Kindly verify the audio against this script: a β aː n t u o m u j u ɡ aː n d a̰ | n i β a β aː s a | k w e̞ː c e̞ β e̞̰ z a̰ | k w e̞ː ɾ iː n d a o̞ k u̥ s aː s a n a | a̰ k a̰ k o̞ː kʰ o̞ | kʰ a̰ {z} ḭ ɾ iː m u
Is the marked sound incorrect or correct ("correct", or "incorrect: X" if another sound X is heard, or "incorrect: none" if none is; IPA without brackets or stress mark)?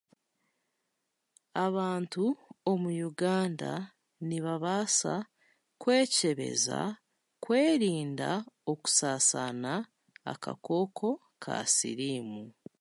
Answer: incorrect: s